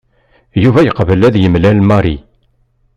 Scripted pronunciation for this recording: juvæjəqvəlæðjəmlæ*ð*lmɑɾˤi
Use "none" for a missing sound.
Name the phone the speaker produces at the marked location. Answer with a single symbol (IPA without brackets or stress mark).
none